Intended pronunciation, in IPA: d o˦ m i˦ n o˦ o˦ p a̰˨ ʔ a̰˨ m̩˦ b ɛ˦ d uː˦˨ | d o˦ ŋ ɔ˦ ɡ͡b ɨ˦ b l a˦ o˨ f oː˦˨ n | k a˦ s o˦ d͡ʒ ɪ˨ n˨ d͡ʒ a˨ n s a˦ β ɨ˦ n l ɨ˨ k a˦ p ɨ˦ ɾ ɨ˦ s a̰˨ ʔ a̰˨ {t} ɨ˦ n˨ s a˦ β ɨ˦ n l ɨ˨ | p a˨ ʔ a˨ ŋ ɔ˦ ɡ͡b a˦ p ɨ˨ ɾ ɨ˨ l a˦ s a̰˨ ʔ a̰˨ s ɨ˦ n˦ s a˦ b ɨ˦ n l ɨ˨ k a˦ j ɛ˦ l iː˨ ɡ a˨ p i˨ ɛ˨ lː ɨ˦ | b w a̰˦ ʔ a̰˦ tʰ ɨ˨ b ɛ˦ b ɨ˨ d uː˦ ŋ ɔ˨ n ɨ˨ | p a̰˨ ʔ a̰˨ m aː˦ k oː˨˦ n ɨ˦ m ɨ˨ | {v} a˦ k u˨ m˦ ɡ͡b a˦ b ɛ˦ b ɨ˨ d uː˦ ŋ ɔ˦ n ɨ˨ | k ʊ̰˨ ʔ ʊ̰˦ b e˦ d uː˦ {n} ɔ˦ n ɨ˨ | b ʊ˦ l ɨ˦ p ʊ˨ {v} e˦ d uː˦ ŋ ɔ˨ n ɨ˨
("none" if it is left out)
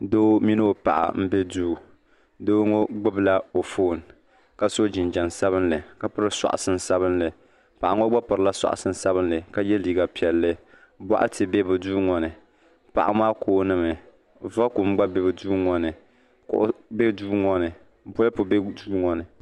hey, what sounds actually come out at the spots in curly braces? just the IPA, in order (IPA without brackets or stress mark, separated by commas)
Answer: s, v, ŋ, b